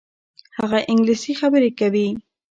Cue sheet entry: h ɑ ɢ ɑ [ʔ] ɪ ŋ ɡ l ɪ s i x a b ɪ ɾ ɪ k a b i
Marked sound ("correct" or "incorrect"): correct